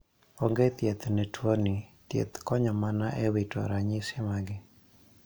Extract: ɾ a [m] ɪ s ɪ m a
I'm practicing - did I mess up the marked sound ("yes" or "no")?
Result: yes